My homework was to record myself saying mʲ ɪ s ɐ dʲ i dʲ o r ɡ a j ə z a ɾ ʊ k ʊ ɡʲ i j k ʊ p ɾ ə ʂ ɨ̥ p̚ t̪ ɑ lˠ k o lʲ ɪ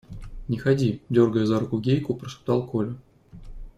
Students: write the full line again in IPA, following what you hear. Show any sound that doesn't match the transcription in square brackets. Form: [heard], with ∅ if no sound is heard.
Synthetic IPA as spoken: [nʲ] ɪ [x] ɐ dʲ i dʲ o r ɡ [ə] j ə z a ɾ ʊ k ʊ ɡʲ [e] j k ʊ p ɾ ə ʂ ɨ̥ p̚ t̪ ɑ lˠ k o lʲ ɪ